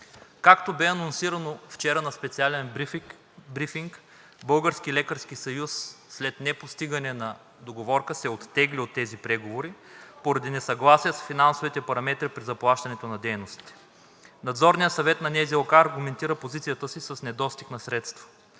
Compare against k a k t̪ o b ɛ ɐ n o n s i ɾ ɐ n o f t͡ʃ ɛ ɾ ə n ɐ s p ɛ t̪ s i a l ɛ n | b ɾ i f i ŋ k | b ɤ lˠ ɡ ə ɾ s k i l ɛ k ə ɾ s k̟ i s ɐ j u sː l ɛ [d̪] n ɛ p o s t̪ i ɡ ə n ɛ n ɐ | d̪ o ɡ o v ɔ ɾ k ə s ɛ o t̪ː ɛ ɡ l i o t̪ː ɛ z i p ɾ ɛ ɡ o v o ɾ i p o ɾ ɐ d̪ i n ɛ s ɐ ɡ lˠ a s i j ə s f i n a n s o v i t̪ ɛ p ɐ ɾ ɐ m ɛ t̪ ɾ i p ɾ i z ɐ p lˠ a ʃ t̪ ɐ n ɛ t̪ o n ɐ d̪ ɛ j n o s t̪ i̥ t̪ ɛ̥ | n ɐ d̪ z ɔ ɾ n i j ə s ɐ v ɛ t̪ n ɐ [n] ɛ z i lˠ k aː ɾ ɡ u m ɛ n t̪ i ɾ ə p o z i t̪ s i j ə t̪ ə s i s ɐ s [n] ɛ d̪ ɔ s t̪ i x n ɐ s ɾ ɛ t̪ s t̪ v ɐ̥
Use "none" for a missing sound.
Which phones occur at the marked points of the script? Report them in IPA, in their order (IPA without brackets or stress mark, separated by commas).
t̪, n, n